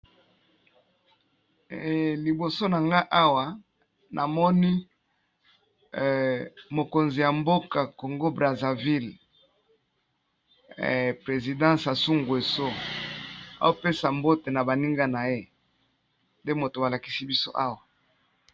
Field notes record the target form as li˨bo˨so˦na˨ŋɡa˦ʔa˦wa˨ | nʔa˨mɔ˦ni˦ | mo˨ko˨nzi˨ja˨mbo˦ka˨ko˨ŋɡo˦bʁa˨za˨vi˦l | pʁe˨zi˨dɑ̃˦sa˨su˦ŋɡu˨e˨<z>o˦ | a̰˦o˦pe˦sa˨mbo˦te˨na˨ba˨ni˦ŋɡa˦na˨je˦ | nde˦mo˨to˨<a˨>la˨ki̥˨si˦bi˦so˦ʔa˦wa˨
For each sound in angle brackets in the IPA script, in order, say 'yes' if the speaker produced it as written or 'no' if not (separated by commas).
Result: no, yes